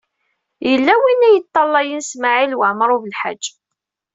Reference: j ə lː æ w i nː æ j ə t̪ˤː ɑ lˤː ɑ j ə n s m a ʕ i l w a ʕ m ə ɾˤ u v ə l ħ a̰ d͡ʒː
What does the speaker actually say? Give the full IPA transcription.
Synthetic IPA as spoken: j ə lː æ w i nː æ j ə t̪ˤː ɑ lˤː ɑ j ə n s m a ʕ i l w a ʕ m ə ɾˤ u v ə l ħ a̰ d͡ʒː